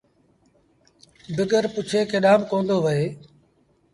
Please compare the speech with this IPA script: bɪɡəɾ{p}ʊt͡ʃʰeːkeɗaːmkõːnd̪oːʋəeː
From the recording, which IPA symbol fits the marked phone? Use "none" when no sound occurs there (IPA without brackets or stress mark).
p